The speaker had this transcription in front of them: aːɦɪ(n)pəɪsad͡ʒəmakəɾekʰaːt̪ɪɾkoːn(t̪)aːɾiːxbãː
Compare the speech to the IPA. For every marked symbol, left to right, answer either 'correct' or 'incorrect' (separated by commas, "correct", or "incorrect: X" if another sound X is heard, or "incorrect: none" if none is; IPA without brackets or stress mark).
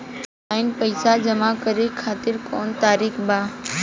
correct, correct